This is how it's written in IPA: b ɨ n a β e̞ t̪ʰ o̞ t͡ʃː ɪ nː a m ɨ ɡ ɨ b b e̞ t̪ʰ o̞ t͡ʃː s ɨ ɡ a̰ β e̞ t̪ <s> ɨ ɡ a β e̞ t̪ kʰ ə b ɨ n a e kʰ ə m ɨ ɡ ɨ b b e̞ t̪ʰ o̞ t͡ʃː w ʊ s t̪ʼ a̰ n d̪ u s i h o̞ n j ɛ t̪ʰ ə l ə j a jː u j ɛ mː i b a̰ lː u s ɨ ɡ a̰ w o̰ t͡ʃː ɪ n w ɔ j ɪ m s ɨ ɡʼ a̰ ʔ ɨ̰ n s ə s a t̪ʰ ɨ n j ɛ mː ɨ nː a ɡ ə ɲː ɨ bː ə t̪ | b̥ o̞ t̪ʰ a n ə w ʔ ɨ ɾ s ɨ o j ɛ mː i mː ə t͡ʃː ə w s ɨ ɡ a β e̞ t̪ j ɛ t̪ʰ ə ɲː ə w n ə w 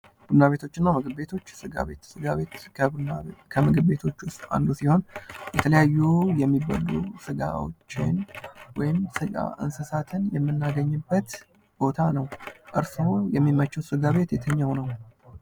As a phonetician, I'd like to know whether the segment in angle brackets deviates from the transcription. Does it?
no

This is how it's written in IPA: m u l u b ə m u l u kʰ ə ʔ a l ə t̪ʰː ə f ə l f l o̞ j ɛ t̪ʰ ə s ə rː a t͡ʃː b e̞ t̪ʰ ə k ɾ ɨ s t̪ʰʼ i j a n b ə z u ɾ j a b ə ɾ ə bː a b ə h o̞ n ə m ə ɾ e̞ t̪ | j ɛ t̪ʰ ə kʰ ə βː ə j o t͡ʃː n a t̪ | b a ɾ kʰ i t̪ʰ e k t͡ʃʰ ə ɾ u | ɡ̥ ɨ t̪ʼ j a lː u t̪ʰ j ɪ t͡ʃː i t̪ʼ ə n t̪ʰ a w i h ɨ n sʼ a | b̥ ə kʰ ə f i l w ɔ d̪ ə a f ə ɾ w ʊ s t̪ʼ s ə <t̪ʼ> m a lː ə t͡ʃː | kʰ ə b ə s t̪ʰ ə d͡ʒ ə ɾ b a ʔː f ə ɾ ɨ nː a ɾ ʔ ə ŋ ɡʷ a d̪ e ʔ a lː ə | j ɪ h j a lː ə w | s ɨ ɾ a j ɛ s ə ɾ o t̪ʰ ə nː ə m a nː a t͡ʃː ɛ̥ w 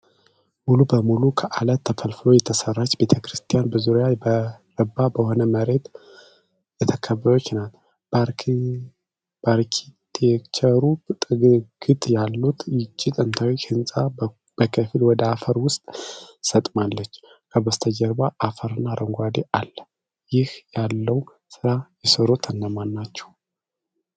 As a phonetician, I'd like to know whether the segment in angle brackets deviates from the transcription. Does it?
no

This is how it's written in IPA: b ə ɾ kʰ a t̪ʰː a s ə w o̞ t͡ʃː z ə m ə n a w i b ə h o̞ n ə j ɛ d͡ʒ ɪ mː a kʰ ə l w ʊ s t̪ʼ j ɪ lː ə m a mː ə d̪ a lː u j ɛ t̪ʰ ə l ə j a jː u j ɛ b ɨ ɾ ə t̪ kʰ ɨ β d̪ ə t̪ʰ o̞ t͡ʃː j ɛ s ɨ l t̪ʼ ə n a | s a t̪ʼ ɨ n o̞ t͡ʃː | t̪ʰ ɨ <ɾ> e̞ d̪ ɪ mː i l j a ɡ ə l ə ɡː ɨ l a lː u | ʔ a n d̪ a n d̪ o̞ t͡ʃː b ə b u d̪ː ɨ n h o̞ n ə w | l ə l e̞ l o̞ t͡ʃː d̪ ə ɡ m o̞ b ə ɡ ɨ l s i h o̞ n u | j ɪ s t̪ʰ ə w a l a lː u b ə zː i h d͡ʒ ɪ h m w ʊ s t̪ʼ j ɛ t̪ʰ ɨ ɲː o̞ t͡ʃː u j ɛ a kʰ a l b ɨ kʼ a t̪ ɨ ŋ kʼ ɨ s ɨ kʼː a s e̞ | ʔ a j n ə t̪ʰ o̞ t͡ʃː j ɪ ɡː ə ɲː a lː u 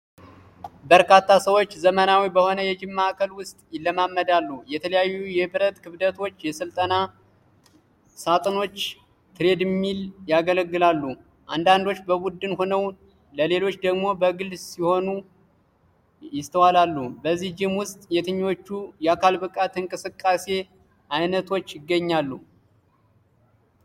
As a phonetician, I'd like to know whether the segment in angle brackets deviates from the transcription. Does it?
no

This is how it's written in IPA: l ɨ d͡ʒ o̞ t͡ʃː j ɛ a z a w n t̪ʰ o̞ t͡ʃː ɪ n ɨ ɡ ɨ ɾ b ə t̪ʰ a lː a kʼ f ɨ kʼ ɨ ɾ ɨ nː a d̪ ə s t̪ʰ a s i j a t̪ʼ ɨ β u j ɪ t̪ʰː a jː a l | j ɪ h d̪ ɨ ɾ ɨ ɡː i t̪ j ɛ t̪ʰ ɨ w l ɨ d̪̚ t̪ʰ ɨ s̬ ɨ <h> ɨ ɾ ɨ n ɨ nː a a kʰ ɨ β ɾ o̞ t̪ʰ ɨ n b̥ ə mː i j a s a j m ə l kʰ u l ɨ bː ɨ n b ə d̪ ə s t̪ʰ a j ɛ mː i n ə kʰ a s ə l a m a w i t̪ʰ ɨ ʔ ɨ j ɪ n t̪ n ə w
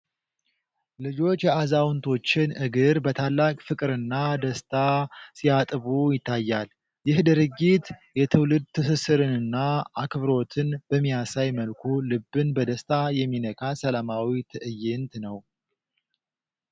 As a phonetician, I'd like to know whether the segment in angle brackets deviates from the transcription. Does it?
yes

